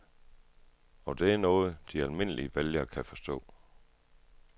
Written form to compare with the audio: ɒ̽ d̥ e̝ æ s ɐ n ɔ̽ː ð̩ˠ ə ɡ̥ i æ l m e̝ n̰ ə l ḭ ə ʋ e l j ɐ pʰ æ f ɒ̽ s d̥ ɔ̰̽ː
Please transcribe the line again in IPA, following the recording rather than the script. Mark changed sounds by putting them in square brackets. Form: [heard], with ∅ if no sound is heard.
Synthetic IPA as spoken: ɒ̽ d̥ e̝ æ [∅] ɐ n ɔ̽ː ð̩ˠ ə [d̥] i æ l m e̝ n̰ ə l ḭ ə ʋ e l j ɐ [kʰ] æ f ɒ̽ s d̥ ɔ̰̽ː